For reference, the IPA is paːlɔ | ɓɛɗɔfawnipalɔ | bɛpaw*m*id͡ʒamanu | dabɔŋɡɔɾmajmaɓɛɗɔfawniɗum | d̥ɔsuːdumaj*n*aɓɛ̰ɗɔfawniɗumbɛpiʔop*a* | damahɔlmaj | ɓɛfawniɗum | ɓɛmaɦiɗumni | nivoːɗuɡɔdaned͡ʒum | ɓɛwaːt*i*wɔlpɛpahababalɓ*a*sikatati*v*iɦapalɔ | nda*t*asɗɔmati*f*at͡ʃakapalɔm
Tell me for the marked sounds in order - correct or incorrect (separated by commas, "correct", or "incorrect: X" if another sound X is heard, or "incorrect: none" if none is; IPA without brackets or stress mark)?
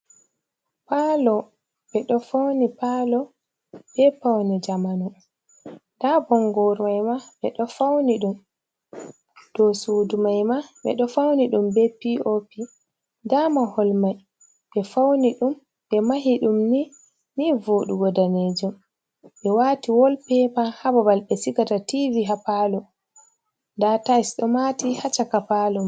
incorrect: n, incorrect: m, incorrect: i, correct, incorrect: ɛ, correct, correct, incorrect: h